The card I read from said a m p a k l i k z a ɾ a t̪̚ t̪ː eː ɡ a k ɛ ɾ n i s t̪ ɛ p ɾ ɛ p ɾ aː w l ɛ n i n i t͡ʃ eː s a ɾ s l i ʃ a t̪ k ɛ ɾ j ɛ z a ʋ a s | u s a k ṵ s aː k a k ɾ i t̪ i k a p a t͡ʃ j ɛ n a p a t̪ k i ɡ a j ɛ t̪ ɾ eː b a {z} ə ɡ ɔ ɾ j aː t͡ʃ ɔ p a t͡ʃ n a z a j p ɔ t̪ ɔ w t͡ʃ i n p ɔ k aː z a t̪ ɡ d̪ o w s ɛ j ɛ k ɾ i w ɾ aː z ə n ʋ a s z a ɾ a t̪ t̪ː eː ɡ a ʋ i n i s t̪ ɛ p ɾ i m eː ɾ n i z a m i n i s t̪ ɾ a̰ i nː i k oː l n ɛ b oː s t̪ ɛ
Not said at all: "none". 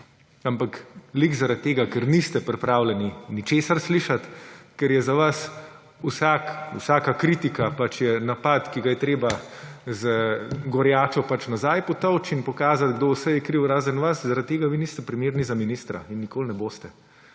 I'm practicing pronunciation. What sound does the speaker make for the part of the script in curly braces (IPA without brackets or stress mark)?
z